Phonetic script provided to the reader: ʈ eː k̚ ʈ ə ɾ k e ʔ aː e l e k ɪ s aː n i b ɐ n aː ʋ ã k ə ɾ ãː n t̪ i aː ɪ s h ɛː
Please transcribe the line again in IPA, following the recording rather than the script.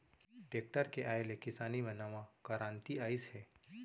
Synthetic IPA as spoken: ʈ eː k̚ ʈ ə ɾ k e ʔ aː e l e k ɪ s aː n i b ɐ n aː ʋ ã k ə ɾ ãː n t̪ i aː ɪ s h ɛː